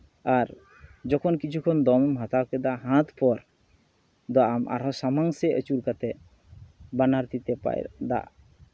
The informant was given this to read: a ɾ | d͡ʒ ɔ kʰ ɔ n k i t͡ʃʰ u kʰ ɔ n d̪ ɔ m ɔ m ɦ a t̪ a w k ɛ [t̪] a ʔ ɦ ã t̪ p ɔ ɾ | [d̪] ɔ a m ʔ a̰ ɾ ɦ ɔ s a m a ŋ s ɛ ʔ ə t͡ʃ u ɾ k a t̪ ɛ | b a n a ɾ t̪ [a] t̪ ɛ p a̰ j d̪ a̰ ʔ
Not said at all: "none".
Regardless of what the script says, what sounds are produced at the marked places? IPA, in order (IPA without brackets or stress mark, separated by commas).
d̪, d̪, i